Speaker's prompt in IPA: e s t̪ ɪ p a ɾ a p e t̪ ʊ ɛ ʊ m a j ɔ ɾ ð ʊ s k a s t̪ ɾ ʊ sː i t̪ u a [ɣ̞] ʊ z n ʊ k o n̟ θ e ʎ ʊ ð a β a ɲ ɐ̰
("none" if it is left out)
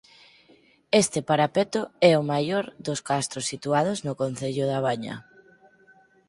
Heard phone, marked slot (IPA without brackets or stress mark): ð̞